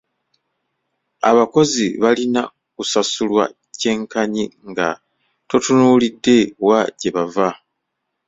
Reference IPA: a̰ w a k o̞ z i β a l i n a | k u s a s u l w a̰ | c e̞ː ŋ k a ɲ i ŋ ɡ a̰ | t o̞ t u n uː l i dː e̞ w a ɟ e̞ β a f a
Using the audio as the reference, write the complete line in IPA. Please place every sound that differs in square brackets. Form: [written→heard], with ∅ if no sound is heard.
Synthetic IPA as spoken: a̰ [w→β] a k o̞ z i β a l i n a | k u s a s u l w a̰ | c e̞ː ŋ k a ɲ i ŋ ɡ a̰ | t o̞ t u n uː l i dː e̞ w a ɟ e̞ β a [f→v] a